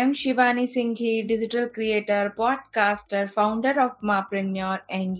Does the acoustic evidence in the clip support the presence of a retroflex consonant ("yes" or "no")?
yes